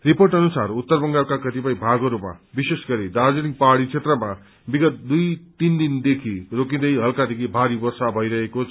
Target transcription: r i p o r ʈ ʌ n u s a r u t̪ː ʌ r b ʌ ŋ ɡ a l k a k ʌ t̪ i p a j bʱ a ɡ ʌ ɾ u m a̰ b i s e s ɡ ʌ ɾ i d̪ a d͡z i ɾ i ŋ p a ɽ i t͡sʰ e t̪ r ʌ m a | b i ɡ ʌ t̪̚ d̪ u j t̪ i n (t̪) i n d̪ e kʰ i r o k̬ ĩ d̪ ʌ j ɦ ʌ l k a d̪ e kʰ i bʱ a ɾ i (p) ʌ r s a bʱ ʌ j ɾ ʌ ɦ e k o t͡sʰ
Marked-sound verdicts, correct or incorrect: incorrect: d̪, incorrect: b

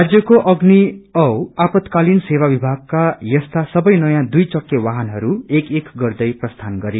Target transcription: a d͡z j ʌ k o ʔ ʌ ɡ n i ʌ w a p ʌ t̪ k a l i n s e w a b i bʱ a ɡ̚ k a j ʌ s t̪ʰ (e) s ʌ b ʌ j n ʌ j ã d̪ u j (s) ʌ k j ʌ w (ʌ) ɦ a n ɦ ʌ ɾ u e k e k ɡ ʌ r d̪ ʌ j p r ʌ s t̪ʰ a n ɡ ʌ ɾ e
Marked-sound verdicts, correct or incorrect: incorrect: a, incorrect: t͡s, incorrect: a

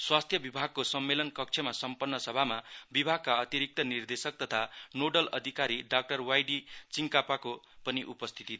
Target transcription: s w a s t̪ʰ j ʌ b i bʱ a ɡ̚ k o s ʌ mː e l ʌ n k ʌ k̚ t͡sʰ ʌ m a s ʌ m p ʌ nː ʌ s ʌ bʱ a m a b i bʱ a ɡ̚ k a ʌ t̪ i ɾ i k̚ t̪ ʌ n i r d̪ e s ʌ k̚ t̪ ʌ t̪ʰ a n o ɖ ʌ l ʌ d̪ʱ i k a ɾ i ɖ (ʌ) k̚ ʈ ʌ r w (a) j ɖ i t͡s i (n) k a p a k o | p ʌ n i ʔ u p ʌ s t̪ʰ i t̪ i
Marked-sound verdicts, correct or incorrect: incorrect: a, correct, incorrect: ŋ

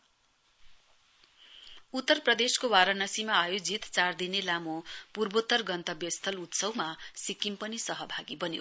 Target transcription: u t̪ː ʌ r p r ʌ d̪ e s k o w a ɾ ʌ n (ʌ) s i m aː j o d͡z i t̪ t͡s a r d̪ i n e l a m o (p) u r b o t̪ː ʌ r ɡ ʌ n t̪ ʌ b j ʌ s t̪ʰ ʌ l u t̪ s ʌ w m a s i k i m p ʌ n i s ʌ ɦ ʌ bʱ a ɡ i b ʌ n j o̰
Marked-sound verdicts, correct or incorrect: correct, correct

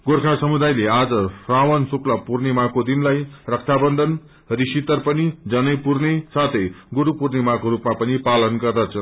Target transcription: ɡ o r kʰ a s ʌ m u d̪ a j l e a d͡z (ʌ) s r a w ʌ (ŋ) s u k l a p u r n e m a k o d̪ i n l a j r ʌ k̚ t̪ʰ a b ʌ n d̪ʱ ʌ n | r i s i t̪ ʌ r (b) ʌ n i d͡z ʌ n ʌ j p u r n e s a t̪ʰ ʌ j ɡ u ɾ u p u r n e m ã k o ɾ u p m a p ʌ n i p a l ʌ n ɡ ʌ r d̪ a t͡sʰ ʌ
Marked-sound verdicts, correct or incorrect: correct, incorrect: n, incorrect: p

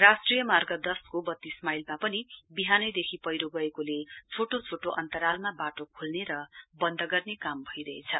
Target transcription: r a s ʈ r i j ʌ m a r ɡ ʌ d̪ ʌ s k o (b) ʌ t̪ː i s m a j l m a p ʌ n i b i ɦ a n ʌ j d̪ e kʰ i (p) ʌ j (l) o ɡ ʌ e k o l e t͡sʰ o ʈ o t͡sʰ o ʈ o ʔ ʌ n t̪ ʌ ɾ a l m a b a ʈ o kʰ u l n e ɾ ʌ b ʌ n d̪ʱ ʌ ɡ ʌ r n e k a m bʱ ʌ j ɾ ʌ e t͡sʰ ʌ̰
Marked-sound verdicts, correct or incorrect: correct, correct, incorrect: ɾ

